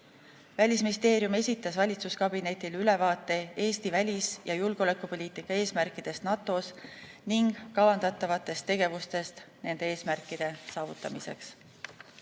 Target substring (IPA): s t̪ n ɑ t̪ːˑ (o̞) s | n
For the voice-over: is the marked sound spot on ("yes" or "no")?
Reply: yes